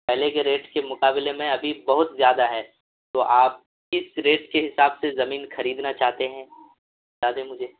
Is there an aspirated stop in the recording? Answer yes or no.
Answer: no